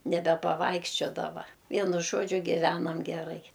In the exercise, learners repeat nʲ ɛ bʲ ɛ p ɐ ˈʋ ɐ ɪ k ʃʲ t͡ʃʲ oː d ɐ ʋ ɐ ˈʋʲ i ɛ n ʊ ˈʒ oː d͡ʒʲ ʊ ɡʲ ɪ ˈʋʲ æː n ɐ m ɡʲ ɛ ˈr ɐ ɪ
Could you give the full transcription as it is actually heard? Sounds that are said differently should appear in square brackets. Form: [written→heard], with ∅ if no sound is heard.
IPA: nʲ ɛ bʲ ɛ p ɐ ˈʋ ɐ ɪ k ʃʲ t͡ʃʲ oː d ɐ ʋ ɐ ˈʋʲ i ɛ n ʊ ˈʒ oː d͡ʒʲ ʊ ɡʲ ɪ ˈʋʲ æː n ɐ m ɡʲ ɛ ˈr ɐ ɪ